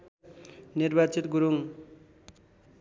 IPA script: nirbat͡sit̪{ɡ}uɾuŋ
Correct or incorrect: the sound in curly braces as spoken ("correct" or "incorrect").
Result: correct